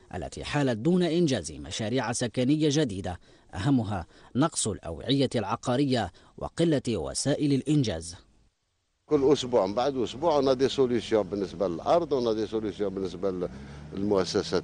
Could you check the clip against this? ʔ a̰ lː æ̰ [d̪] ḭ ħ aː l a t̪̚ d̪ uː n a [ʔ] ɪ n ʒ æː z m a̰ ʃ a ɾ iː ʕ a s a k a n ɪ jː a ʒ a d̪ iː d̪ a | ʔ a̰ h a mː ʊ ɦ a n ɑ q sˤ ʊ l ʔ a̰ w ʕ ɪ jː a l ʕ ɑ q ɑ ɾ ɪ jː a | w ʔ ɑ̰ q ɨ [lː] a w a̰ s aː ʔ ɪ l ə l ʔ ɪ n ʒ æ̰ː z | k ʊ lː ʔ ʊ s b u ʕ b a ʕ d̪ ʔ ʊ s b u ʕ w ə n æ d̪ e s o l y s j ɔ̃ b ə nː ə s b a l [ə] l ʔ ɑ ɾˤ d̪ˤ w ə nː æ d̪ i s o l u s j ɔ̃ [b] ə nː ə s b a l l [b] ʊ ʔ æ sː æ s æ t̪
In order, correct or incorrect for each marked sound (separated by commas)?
incorrect, correct, correct, correct, correct, incorrect